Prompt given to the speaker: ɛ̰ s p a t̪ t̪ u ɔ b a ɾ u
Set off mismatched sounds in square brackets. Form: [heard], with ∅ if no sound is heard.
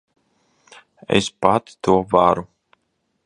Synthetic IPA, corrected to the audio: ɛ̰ s p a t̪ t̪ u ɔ [v] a ɾ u